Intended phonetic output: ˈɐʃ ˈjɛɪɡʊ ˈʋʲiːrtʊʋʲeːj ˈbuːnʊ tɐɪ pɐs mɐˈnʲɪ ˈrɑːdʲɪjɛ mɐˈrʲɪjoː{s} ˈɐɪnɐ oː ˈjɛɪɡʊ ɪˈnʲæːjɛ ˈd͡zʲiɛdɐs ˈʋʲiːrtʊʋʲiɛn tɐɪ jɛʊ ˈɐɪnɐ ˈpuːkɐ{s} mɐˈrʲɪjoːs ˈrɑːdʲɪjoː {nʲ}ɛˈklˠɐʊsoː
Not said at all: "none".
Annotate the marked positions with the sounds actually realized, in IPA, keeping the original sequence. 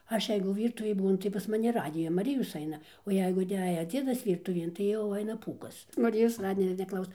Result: s, s, nʲ

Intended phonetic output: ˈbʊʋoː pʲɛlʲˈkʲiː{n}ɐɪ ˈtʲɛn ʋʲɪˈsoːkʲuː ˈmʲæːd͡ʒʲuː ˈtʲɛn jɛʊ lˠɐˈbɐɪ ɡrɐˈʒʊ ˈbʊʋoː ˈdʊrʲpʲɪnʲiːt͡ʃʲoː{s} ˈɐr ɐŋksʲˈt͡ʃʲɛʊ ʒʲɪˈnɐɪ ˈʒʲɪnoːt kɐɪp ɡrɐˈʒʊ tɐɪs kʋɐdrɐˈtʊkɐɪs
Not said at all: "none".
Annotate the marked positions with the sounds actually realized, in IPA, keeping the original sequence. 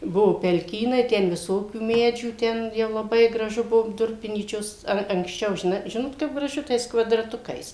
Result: n, s

